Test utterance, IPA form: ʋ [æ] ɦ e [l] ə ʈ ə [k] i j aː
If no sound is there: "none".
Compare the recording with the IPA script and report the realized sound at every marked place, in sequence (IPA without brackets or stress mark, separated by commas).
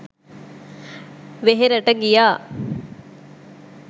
e, ɾ, ɡ